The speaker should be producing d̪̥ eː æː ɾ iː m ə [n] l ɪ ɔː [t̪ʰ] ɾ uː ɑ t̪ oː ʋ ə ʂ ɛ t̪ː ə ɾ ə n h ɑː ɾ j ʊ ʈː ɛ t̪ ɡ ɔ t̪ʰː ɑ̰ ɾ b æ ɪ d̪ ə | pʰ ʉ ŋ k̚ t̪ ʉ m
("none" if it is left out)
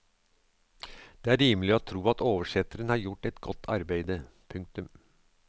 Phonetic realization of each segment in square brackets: none, t̪ʰ

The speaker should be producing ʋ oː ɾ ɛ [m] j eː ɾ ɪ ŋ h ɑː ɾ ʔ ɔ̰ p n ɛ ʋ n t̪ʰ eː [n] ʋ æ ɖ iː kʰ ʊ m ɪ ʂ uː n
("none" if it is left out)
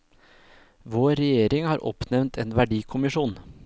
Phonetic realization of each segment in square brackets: none, n

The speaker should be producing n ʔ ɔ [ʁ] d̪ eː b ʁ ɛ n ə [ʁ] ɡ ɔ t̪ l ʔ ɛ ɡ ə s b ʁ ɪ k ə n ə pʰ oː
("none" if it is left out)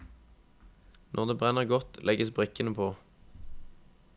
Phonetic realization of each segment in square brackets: ʁ, ʁ

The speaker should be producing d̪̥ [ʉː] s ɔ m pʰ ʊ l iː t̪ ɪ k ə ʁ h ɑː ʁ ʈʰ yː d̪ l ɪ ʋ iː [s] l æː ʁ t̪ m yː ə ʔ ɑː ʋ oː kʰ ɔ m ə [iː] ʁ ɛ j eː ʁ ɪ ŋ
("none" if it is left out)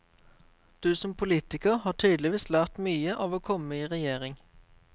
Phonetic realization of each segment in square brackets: ʉː, s, iː

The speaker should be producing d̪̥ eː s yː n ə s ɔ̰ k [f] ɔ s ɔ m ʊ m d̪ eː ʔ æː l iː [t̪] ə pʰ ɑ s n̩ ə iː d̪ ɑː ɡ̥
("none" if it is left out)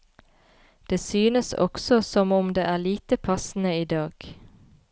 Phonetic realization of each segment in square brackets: s, t̪

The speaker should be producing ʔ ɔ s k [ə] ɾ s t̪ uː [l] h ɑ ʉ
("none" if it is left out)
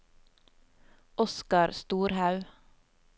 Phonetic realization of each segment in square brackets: ɑ, ɾ

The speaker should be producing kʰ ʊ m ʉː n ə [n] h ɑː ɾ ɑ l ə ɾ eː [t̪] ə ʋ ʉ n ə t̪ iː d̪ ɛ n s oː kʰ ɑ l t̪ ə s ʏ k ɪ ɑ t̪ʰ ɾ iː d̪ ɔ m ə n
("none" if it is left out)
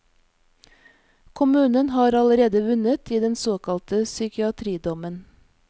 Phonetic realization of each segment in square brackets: n, d̪

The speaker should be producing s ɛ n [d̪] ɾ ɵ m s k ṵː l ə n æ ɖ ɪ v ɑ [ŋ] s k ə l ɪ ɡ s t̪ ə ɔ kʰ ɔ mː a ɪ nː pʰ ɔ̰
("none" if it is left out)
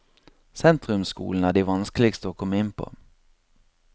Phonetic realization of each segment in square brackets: t̪, n

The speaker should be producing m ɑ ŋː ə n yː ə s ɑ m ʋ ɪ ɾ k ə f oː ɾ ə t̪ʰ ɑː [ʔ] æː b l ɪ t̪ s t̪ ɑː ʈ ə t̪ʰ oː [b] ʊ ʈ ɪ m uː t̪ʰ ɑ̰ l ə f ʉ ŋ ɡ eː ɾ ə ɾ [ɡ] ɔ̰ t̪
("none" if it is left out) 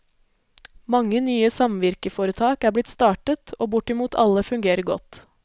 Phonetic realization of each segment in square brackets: k, b, ɡ

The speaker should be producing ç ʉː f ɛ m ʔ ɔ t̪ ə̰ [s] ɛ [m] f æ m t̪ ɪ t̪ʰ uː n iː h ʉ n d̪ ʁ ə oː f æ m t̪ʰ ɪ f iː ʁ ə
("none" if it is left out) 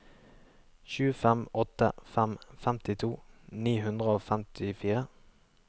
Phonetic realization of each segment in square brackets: f, m

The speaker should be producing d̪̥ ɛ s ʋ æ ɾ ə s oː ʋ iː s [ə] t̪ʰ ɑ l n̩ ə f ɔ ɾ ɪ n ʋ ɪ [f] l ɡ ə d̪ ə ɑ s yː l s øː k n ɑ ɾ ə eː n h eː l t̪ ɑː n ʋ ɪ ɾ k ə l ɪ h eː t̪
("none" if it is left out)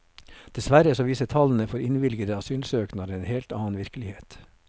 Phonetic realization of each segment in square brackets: ə, none

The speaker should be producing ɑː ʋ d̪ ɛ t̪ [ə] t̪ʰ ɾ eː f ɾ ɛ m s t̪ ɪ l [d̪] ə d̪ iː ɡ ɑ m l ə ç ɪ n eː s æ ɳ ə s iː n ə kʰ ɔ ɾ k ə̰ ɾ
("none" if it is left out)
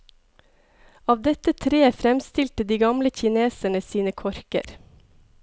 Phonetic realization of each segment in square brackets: ə, t̪

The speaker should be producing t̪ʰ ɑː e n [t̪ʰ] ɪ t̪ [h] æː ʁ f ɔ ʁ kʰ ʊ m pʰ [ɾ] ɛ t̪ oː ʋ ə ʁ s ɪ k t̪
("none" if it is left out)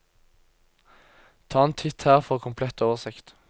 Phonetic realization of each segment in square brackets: t̪ʰ, h, l

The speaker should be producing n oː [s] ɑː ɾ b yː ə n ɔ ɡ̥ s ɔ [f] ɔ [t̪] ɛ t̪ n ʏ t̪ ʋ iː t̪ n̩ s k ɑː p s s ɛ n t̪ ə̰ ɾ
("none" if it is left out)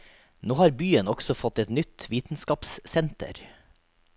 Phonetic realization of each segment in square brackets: h, f, t̪

